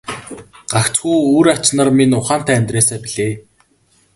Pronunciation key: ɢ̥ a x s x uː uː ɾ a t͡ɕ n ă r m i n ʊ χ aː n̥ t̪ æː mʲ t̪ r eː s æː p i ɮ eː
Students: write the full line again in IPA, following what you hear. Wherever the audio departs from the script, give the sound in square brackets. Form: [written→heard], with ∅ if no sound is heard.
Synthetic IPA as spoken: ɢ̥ a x [s→t͡s] x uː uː ɾ a t͡ɕ n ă r m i n ʊ χ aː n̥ t̪ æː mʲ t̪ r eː s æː p i ɮ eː